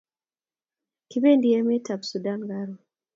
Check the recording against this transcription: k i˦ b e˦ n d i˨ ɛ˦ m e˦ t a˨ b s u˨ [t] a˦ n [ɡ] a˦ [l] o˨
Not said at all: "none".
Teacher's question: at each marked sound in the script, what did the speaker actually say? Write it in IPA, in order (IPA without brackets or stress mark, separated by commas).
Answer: d, ɡ, ɾ